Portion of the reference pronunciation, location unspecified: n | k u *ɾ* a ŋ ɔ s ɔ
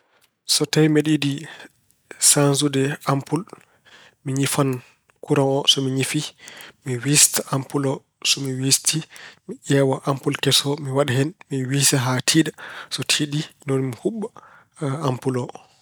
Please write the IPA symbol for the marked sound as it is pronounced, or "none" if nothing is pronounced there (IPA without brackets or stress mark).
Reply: ɾ